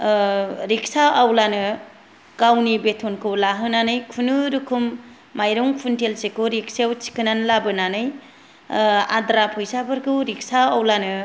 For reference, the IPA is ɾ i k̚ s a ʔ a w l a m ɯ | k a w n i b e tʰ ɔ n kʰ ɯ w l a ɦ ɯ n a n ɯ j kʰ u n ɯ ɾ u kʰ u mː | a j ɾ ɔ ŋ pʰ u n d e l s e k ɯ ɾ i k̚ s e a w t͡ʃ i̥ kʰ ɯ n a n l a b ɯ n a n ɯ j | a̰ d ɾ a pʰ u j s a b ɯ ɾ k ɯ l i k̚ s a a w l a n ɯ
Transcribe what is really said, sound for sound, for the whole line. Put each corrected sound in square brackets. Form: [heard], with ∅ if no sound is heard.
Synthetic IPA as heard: ɾ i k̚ s a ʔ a w l a [n] ɯ | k a w n i b e tʰ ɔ n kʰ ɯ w l a ɦ ɯ n a n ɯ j kʰ u n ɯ ɾ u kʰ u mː | a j ɾ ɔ ŋ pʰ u n [t] e l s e k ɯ ɾ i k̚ s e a w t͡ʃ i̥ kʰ ɯ n a n l a b ɯ n a n ɯ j | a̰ d ɾ a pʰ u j s a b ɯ ɾ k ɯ [ɾ] i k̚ s a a w l a n ɯ

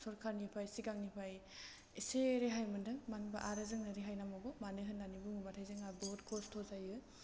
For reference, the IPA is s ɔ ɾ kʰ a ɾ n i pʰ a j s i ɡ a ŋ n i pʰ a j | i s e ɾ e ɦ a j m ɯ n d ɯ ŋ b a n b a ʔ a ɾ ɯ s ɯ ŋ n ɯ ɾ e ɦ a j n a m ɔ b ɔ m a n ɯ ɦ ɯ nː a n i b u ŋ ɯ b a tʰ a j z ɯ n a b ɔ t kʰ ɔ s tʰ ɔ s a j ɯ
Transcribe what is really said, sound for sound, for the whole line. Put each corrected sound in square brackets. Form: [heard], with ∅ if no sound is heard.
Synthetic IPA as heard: s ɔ ɾ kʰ a ɾ n i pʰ a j s i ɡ a ŋ n i pʰ a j | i s e ɾ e ɦ a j m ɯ n d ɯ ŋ [m] a n b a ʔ a ɾ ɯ [z] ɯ ŋ n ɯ ɾ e ɦ a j n a m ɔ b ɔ m a n ɯ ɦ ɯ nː a n i b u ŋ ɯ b a tʰ a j z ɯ [ŋ] a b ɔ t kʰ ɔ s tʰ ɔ [z] a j ɯ

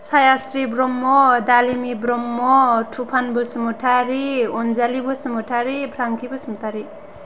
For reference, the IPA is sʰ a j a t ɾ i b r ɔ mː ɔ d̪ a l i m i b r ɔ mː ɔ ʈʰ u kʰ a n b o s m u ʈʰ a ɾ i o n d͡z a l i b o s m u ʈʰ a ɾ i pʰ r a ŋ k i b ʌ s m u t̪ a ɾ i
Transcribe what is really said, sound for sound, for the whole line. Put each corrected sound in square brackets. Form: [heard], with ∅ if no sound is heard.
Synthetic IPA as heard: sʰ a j a [s] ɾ i b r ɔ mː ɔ d̪ a l i m i b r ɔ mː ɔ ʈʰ u [pʰ] a n b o s m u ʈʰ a ɾ i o n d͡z a l i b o s m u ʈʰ a ɾ i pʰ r a ŋ k i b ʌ s m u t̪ a ɾ i

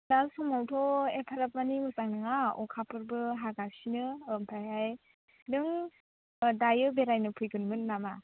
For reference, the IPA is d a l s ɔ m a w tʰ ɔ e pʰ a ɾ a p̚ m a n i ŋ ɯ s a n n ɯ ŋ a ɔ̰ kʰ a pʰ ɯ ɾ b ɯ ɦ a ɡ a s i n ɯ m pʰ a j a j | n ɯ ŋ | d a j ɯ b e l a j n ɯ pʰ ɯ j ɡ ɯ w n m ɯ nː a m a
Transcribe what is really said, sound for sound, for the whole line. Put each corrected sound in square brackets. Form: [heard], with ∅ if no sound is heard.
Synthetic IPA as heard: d a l s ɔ m a w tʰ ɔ e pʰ a ɾ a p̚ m a n i [m] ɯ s a [ŋ] n ɯ ŋ a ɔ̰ kʰ a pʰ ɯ ɾ b ɯ ɦ a ɡ a s i n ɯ m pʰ a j a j | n ɯ ŋ | d a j ɯ b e [ɾ] a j n ɯ pʰ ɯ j ɡ ɯ [∅] n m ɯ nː a m a

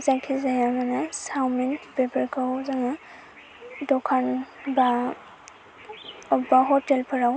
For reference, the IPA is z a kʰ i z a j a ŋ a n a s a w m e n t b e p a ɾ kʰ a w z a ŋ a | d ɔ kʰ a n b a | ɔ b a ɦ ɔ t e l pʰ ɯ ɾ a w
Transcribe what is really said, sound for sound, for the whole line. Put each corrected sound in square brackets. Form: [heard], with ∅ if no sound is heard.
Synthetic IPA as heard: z a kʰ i z a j a [m] a n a s a w m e n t b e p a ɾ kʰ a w z a ŋ a | d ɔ kʰ a n b a | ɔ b a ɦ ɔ t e l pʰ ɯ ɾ a w

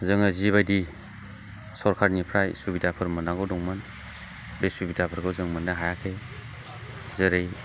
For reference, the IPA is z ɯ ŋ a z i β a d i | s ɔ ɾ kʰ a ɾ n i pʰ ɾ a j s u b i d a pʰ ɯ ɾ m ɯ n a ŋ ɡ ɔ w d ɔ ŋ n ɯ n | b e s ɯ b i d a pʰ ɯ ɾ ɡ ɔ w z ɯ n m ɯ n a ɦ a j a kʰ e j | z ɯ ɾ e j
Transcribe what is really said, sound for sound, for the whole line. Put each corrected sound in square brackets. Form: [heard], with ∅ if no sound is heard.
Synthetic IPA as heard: z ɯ ŋ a z i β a d i | s ɔ ɾ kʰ a ɾ n i pʰ ɾ a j s u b i d a pʰ ɯ ɾ m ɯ n a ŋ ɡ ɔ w d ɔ ŋ [m] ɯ n | b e s [u] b i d a pʰ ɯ ɾ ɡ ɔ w z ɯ [ŋ] m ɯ n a ɦ a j a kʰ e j | z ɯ ɾ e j

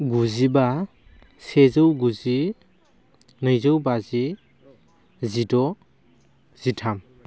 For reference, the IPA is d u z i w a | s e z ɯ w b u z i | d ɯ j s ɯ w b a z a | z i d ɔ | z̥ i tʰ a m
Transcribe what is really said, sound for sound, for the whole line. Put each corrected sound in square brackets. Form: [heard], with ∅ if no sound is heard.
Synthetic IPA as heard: [ɡ] u z i [b] a | s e z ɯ w [ɡ] u z i | [n] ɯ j [z] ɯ w b a z [i] | z i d ɔ | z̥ i tʰ a m

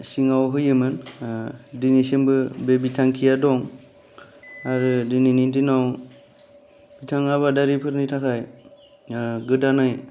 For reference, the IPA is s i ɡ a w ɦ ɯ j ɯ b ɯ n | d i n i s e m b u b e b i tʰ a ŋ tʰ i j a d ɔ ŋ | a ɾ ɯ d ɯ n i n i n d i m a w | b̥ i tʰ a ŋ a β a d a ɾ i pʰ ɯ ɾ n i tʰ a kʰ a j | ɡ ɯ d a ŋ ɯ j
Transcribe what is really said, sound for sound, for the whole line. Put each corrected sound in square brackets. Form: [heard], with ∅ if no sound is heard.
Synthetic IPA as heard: s i [ŋ] a w ɦ ɯ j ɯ [m] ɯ n | d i n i s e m b [ɯ] b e b i tʰ a ŋ [kʰ] i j a d ɔ ŋ | a ɾ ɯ d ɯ n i n i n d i [n] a w | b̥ i tʰ a ŋ a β a d a ɾ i pʰ ɯ ɾ n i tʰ a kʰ a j | ɡ ɯ d a [n] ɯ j

